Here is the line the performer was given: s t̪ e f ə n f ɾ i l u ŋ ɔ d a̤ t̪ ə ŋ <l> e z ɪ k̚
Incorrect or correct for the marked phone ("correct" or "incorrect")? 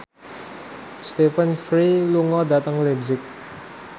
correct